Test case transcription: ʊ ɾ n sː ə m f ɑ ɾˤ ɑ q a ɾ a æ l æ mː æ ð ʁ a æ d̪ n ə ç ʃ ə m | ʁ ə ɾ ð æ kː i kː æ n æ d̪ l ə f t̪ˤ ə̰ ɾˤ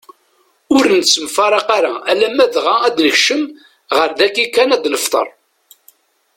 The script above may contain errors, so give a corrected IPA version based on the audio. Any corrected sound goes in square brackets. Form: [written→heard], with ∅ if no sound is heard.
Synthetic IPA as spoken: ʊ ɾ n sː ə m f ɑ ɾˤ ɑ q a ɾ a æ l æ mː æ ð ʁ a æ d̪ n ə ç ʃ ə m | ʁ ə ɾ ð æ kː i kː æ n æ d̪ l ə f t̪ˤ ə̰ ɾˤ